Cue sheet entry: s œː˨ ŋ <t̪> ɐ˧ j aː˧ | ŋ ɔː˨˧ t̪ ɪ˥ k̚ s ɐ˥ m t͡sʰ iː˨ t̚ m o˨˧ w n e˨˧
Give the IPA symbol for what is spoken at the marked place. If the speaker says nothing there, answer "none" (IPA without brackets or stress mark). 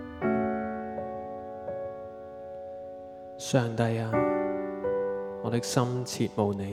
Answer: t̪